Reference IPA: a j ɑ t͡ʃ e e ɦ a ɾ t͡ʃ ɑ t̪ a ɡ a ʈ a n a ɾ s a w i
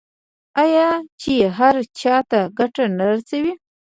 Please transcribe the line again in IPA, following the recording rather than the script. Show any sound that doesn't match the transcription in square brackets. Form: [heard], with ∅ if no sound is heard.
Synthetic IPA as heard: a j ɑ t͡ʃ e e ɦ a ɾ t͡ʃ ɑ t̪ a ɡ a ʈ a n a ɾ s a w i